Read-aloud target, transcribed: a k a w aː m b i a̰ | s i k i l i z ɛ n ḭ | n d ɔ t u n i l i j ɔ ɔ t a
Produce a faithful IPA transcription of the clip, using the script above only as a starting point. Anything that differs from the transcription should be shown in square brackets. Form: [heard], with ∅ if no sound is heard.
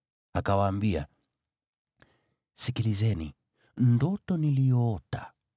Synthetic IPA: a k a w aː m b i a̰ | s i k i l i z ɛ n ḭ | n d ɔ t [ɔ] n i l i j ɔ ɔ t a